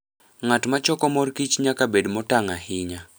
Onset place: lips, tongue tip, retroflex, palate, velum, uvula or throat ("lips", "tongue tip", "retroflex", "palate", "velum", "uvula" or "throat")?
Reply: velum